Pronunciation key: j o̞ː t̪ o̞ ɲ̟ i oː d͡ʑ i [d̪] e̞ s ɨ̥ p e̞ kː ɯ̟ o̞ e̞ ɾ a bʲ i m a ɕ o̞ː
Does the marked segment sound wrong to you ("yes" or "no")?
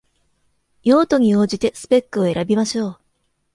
yes